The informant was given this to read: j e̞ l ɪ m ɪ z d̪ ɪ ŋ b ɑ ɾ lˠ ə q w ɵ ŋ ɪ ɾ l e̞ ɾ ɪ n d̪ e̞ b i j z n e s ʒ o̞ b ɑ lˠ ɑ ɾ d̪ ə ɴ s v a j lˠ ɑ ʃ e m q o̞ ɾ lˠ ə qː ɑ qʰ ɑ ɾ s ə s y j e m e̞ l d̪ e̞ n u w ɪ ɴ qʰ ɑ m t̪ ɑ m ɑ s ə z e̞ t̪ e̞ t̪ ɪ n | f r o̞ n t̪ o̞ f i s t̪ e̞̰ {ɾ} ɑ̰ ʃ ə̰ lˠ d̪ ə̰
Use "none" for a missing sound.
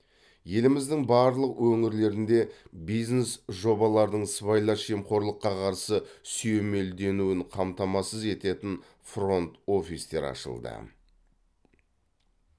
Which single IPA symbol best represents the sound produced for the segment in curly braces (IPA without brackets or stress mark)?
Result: ɾ